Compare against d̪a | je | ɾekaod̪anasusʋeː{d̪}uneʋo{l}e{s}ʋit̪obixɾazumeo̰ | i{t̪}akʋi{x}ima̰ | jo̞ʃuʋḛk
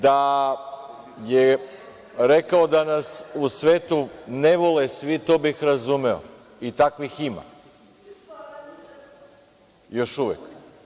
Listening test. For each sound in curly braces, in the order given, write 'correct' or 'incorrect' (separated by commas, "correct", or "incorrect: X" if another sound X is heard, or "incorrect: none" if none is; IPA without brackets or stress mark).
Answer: incorrect: t̪, correct, correct, correct, correct